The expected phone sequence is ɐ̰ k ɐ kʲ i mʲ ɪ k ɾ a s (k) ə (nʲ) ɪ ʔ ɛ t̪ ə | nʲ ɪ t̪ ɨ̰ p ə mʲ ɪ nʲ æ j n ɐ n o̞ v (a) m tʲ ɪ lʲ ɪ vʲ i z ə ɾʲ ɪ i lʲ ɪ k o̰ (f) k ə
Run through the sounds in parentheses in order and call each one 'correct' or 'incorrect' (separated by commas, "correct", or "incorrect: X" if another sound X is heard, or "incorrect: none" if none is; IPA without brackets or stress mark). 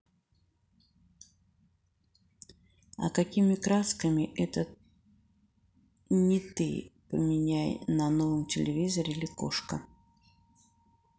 correct, incorrect: mʲ, incorrect: ə, incorrect: ʂ